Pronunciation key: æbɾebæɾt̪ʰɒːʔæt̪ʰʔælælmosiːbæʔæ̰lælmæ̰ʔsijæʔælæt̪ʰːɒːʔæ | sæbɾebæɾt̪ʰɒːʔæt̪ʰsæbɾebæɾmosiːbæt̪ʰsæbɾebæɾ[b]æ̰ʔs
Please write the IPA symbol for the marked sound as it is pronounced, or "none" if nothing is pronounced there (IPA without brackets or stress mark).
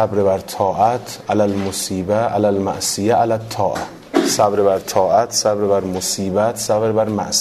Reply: m